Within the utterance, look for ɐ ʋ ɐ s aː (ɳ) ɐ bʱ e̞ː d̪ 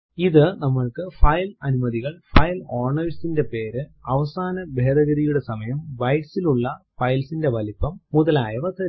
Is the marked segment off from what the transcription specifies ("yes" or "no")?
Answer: yes